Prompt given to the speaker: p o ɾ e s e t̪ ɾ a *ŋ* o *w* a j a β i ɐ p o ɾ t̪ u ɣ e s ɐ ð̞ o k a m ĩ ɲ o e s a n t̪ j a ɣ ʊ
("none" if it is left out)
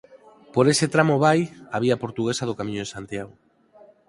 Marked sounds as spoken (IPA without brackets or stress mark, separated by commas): m, β